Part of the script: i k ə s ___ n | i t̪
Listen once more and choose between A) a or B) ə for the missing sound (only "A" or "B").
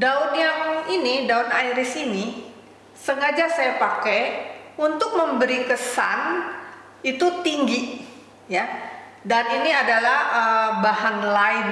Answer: A